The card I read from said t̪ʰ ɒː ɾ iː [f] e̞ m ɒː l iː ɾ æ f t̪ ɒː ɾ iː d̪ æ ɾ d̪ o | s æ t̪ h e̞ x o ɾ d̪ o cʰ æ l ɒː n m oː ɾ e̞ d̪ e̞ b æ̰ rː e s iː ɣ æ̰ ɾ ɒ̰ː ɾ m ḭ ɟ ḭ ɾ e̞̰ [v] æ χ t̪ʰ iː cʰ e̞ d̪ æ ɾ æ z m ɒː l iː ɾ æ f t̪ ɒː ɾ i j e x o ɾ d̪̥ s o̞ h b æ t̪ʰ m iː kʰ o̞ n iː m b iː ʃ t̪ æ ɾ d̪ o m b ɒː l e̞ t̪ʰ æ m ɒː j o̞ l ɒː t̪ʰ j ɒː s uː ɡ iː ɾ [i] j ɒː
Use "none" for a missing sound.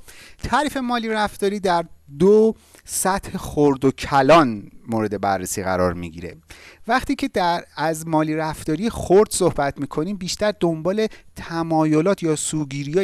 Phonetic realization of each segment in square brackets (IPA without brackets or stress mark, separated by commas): f, v, i